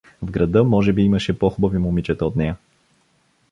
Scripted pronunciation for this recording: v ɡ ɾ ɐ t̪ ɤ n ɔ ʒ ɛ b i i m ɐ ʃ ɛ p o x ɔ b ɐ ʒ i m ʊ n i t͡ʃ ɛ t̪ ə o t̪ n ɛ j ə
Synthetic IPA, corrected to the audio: v ɡ ɾ ɐ d̪ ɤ m ɔ ʒ ɛ b i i m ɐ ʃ ɛ p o x u b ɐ v i m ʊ m i t͡ʃ ɛ t̪ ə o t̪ n ɛ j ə